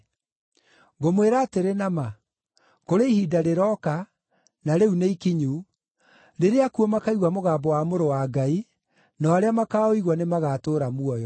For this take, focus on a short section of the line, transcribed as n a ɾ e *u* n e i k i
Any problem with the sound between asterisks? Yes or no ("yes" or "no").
no